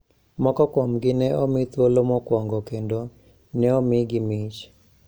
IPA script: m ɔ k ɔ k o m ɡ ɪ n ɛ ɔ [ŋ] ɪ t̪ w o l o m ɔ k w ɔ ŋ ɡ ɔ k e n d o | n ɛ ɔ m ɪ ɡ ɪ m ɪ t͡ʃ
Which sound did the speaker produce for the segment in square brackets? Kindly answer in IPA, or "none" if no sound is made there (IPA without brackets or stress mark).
m